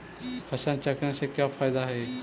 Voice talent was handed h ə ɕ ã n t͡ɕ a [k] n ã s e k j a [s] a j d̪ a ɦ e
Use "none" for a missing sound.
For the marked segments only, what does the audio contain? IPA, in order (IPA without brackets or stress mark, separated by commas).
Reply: k, f